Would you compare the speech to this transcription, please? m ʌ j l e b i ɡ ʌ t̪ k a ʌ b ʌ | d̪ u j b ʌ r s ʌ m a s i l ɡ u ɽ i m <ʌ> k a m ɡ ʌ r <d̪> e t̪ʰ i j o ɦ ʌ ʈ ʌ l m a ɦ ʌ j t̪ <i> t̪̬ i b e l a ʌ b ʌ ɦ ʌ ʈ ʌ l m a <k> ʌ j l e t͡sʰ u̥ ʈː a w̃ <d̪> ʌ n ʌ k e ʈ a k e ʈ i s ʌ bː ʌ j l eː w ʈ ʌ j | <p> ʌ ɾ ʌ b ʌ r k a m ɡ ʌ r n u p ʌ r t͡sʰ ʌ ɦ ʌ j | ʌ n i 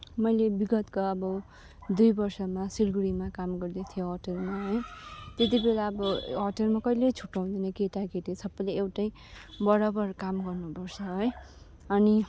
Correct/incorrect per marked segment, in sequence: incorrect: a, correct, incorrect: e, correct, correct, incorrect: b

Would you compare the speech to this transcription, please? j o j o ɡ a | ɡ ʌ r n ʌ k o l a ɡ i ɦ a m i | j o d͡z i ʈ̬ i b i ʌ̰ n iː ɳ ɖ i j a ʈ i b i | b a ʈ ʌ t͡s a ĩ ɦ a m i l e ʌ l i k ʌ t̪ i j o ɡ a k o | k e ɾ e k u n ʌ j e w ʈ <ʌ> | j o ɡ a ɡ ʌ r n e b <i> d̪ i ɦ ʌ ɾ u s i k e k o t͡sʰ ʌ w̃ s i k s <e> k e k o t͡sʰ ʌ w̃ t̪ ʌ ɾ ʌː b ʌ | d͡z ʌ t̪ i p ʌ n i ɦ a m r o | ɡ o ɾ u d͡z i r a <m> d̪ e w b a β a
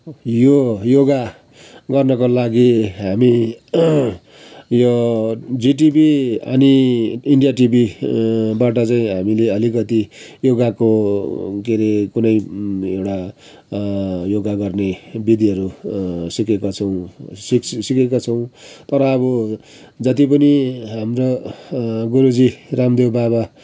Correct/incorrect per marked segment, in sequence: incorrect: a, correct, incorrect: i, correct

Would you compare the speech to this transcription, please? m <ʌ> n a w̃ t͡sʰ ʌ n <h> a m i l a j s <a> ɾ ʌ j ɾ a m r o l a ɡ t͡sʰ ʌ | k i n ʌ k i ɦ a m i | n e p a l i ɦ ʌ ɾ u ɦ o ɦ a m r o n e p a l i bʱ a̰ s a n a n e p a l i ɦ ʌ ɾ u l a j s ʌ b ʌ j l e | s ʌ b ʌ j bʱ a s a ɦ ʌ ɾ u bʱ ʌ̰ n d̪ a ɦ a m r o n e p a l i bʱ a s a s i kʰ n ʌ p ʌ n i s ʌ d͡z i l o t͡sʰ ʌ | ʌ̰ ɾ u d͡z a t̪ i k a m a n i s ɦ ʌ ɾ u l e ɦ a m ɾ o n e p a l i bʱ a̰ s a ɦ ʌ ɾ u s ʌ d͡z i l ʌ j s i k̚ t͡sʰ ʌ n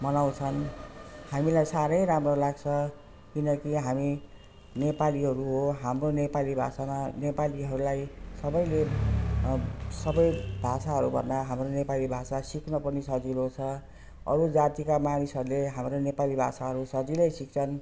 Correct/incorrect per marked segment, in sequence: correct, correct, correct

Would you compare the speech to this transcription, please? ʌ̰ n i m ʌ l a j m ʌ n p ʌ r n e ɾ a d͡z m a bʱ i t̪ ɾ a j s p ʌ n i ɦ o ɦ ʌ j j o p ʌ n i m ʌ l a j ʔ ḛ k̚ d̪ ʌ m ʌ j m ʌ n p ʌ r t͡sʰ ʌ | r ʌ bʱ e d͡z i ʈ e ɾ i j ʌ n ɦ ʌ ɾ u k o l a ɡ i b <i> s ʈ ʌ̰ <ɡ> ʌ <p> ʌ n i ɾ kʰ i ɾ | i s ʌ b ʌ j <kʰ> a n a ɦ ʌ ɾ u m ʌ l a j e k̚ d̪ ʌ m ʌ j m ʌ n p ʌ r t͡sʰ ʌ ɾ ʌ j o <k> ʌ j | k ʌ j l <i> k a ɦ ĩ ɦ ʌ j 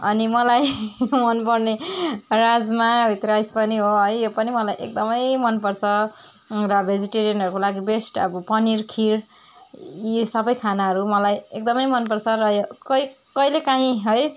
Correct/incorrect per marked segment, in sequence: incorrect: e, incorrect: b, correct, correct, correct, incorrect: e

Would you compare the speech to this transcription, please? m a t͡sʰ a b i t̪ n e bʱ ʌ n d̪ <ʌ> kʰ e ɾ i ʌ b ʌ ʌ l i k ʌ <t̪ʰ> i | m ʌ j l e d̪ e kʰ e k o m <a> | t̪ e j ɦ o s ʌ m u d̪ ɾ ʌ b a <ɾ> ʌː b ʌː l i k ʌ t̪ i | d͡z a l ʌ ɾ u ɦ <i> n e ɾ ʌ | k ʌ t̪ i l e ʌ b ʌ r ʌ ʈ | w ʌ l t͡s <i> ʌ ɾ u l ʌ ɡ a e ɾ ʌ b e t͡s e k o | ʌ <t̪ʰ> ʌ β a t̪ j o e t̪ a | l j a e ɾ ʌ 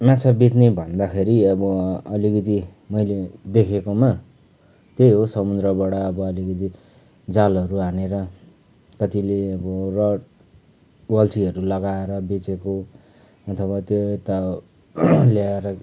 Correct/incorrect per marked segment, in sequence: incorrect: a, incorrect: t̪, correct, incorrect: ɽ, incorrect: a, correct, correct

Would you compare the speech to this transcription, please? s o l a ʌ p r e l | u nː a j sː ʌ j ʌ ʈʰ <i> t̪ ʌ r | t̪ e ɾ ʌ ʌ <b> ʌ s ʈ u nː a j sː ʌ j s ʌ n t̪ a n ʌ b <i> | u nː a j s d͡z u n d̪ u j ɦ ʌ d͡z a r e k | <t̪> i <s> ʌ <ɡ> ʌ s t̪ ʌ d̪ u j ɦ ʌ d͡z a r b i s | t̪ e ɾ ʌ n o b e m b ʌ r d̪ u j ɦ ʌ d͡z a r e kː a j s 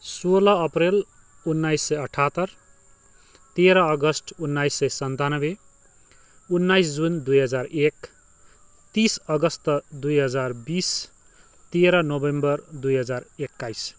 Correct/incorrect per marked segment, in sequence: incorrect: a, incorrect: ɡ, incorrect: e, correct, correct, correct

